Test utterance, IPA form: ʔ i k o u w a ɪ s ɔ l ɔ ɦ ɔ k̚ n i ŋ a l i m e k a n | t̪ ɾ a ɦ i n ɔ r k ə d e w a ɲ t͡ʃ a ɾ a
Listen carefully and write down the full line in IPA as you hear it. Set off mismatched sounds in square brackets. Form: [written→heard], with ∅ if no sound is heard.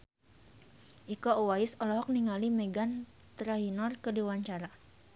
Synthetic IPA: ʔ i k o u w a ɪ s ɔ l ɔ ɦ ɔ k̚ n i ŋ a l i m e [k→ɡ] a n | t̪ ɾ a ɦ i n ɔ r k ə d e w a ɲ t͡ʃ a ɾ a